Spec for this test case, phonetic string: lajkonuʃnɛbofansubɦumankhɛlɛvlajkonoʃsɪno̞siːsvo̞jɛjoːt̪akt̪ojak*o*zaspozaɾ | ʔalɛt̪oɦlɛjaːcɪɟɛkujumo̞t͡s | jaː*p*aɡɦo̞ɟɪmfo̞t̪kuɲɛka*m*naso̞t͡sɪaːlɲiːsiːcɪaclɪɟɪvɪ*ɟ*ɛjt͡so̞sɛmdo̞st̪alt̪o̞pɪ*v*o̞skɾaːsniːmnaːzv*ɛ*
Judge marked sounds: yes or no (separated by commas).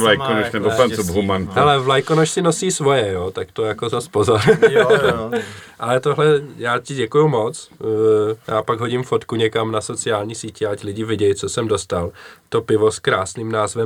yes, yes, yes, yes, yes, yes